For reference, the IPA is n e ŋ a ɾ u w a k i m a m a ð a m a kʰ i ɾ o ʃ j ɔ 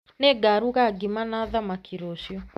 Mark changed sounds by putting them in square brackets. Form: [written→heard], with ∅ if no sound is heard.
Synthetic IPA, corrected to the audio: n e [ŋ→ɡ] a ɾ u [w→ɣ] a [k→ɡ] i m a [m→n] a ð a m a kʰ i ɾ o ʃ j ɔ